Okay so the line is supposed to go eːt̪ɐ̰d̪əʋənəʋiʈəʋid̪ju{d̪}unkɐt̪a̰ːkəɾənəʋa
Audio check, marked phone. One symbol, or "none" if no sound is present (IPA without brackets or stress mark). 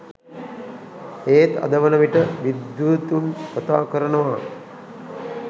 t̪